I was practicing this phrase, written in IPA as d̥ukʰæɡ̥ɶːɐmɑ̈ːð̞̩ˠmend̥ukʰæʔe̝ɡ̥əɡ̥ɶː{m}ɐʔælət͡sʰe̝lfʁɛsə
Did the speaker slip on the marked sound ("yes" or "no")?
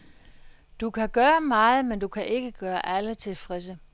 yes